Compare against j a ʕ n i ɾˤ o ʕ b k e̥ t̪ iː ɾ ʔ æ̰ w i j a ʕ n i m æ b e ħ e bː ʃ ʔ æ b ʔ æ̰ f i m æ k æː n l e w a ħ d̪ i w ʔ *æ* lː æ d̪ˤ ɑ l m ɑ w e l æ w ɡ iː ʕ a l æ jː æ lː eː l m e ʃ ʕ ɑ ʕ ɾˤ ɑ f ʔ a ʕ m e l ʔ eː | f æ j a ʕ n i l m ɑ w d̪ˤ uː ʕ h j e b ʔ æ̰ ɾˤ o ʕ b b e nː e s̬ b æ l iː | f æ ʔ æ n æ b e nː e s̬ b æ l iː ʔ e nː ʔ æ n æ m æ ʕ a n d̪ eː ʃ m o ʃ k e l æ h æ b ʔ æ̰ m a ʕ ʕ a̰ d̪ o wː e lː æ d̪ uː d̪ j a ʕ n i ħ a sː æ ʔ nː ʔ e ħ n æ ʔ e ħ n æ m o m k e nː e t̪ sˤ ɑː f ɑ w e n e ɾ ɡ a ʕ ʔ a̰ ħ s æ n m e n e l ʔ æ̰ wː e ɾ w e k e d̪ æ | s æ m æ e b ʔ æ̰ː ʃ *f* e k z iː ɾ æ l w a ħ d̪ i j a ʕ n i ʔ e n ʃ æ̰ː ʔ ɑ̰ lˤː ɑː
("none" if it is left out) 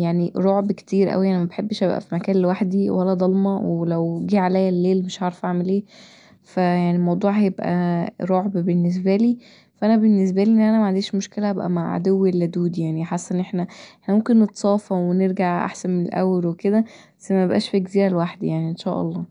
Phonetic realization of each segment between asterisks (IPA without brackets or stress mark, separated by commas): æ, f